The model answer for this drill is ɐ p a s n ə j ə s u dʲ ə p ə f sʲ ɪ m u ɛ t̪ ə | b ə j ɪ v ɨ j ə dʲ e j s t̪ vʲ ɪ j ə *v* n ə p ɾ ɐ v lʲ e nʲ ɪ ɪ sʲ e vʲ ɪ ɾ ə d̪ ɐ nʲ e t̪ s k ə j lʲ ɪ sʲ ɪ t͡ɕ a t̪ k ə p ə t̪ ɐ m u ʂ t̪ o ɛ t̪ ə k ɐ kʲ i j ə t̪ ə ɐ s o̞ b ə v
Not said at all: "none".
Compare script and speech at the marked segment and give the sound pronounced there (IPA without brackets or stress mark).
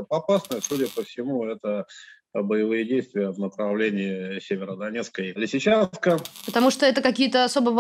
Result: v